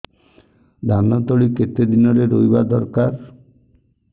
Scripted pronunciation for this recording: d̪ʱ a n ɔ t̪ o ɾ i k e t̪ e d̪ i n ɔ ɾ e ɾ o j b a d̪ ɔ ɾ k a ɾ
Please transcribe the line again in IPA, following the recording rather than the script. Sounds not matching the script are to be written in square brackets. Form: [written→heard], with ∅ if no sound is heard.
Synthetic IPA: d̪ʱ a n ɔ t̪ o [ɾ→ɭ] i k e t̪ e d̪ i n ɔ ɾ e ɾ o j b a d̪ ɔ ɾ k a ɾ